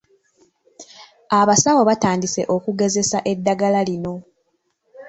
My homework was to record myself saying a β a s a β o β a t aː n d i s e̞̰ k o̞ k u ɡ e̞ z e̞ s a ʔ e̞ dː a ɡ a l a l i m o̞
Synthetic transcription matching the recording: a β a s a w o β a t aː n d i s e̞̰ ʔ o̞ k u ɡ e̞ z e̞ s a ʔ e̞ dː a ɡ a l a l i n o̞